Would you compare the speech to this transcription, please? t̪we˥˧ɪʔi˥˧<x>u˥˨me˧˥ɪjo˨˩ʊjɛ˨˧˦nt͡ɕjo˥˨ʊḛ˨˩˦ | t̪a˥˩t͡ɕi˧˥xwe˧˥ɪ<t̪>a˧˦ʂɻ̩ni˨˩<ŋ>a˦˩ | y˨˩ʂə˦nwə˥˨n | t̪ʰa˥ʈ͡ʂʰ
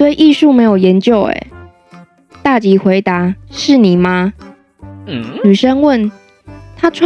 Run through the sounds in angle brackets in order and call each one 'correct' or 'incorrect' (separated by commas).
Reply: incorrect, correct, incorrect